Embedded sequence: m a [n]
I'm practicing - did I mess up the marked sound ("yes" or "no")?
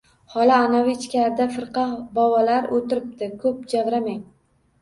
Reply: yes